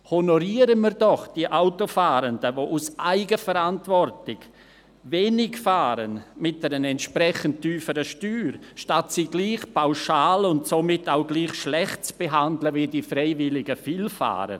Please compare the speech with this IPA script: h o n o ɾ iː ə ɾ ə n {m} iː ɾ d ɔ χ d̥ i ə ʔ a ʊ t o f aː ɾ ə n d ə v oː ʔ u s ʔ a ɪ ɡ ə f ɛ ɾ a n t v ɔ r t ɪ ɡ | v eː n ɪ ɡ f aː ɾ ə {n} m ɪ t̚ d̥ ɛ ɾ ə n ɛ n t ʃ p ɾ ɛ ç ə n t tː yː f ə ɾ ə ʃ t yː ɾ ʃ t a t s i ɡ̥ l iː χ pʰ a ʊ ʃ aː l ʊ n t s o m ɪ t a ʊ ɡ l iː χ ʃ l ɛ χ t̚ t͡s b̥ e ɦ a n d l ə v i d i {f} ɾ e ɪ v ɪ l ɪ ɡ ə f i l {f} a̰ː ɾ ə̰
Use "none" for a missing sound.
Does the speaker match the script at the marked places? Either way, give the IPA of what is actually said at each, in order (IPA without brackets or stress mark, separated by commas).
m, n, f, f